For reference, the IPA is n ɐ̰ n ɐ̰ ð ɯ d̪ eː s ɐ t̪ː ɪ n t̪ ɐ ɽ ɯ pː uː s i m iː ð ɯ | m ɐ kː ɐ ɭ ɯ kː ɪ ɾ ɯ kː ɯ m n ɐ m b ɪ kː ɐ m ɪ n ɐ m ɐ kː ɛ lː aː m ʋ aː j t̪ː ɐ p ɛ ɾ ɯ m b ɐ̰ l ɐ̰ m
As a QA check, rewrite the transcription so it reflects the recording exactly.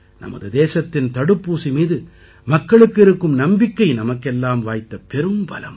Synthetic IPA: n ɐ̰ m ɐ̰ ð ɯ d̪ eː s ɐ t̪ː ɪ n t̪ ɐ ɽ ɯ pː uː s i m iː ð ɯ | m ɐ kː ɐ ɭ ɯ kː ɪ ɾ ɯ kː ɯ m n ɐ m b ɪ kː ɐ ɪ n ɐ m ɐ kː ɛ lː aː m ʋ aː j t̪ː ɐ p ɛ ɾ ɯ m b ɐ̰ l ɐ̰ m